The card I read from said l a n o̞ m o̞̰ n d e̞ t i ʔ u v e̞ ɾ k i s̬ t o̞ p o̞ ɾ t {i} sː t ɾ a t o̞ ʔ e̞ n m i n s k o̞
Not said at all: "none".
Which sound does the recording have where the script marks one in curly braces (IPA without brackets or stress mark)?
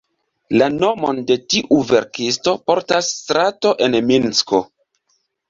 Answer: a